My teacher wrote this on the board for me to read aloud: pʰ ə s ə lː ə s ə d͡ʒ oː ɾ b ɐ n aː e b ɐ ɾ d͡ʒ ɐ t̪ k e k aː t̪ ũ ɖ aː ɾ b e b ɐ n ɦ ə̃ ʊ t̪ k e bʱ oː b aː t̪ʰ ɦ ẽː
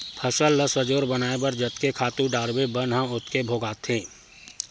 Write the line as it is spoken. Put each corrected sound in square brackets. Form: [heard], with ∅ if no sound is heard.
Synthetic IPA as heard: pʰ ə s ə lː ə s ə d͡ʒ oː ɾ b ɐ n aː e b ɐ ɾ d͡ʒ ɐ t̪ k e [kʰ] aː t̪ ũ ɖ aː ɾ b e b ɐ n ɦ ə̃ ʊ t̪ k e bʱ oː [ɡ] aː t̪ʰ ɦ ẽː

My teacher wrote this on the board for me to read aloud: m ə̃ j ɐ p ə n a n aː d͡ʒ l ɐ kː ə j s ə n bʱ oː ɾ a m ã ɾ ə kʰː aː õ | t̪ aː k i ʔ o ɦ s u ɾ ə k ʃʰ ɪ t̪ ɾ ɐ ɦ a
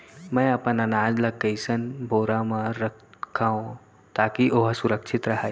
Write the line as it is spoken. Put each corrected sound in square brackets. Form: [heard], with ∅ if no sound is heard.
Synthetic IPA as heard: m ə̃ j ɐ p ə n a n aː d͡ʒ l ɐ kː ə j s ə n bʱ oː ɾ a m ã ɾ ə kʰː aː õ | t̪ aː k i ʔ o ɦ s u ɾ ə k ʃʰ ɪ t̪ ɾ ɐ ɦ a

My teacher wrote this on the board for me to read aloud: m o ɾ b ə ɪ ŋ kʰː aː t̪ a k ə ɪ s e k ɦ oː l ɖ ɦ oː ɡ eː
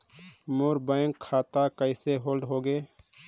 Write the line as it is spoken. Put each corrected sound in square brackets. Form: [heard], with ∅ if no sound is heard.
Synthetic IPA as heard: m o ɾ b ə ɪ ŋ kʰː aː t̪ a k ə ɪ s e [∅] ɦ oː l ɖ ɦ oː ɡ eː

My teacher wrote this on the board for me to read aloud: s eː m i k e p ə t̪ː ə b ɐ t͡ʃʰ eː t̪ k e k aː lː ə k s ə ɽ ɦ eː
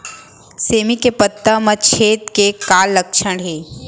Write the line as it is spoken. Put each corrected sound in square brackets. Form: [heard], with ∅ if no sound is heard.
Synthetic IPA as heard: s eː m i k e p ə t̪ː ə [m] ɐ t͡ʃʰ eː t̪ k e k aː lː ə k [ʃ] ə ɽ ɦ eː

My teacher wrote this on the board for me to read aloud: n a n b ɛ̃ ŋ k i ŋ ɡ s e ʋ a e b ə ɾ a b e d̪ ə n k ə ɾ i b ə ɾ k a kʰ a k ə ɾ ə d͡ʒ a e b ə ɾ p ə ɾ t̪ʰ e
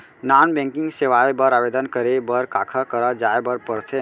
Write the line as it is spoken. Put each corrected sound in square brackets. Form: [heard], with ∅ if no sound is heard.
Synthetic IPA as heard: n a n b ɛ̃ ŋ k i ŋ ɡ s e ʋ a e b ə ɾ a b e d̪ ə n k ə ɾ [e] b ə ɾ k a kʰ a k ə ɾ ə d͡ʒ a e b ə ɾ p ə ɾ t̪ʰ e

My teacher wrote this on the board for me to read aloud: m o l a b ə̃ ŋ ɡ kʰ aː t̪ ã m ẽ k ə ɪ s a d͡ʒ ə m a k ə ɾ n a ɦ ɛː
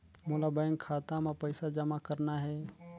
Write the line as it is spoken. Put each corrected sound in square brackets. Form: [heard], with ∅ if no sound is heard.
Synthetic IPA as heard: m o l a b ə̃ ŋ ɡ kʰ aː t̪ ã m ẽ [p] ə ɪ s a d͡ʒ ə m a k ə ɾ n a ɦ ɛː

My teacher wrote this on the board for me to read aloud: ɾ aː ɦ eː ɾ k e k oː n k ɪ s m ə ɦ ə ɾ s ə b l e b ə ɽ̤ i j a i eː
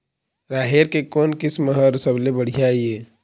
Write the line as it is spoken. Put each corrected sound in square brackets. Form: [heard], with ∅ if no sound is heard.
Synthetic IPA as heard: ɾ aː ɦ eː ɾ k e k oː n k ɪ s m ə ɦ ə ɾ s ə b l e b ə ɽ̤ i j a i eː

